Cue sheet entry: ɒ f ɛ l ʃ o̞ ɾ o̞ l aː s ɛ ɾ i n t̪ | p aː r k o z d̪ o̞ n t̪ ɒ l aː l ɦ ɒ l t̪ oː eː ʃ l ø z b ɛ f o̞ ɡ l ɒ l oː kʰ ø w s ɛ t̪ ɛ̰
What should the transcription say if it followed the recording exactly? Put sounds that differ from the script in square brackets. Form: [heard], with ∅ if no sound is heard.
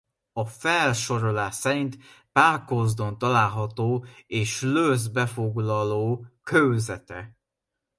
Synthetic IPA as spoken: ɒ f ɛ l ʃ o̞ ɾ o̞ l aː s ɛ ɾ i n t̪ | p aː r k o z d̪ o̞ n t̪ ɒ l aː l ɦ ɒ [∅] t̪ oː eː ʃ l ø z b ɛ f o̞ ɡ l ɒ l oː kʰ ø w [z] ɛ t̪ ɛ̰